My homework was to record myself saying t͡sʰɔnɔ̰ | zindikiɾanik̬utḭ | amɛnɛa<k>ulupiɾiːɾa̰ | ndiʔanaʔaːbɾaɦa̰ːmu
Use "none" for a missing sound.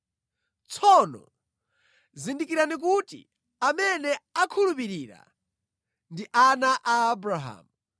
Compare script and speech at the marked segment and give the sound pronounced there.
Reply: kʰ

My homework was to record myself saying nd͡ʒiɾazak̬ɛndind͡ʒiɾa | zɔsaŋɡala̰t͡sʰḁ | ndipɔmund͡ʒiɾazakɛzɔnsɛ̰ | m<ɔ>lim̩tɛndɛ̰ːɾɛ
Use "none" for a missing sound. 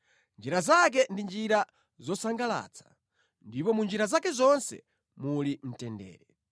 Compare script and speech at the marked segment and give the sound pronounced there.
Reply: u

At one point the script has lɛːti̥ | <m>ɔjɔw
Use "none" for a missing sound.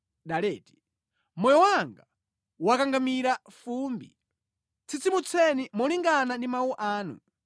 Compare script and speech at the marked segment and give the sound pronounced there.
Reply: m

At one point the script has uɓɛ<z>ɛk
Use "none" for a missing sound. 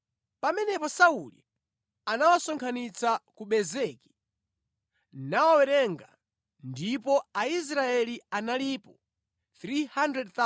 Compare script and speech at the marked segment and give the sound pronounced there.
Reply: z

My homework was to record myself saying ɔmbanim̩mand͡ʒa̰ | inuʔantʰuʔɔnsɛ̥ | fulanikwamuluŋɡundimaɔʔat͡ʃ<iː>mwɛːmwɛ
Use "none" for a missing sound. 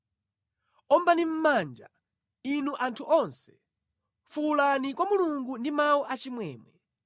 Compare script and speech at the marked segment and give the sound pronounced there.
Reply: i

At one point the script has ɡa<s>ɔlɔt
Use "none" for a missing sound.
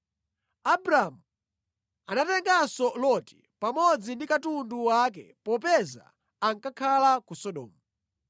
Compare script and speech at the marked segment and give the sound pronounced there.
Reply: s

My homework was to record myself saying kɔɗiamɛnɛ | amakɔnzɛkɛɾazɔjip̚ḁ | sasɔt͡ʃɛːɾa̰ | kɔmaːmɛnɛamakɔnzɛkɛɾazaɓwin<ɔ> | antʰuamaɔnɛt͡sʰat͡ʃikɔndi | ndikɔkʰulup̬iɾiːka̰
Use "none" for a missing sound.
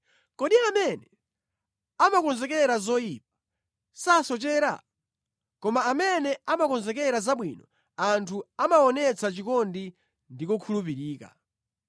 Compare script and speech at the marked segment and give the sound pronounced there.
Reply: ɔ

